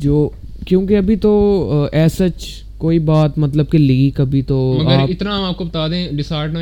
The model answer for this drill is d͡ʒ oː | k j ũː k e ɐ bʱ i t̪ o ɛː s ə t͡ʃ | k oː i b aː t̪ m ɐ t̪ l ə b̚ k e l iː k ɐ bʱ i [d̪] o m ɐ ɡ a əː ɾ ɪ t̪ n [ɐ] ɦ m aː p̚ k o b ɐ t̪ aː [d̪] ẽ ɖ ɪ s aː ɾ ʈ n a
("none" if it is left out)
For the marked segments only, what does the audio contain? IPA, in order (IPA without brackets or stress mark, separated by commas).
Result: t̪, a, d̪